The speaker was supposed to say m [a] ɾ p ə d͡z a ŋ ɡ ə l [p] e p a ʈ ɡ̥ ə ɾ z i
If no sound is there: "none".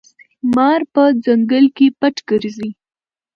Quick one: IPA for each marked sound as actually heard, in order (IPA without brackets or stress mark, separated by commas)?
ɑ, k